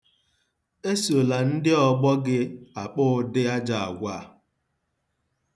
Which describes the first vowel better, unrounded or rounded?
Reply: unrounded